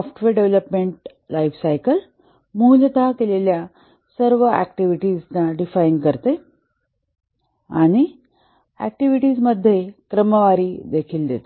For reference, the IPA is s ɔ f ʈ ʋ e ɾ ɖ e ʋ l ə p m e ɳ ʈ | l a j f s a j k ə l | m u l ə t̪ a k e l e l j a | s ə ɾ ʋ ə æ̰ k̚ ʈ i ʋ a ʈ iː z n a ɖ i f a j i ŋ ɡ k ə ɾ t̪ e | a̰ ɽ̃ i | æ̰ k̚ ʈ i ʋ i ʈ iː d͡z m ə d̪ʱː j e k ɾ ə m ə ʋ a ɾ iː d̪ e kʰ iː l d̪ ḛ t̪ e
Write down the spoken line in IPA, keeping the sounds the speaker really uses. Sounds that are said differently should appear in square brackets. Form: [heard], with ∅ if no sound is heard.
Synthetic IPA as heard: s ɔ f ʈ ʋ e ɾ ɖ e ʋ l ə p m e ɳ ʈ | l a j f s a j k ə l | m u l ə t̪ a k e l e l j a | s ə ɾ ʋ ə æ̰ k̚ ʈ i ʋ [i] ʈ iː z n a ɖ i f a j i ŋ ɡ k ə ɾ t̪ e | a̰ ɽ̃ i | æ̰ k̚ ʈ i ʋ i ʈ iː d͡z m ə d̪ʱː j e k ɾ ə m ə ʋ a ɾ iː d̪ e kʰ iː l d̪ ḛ t̪ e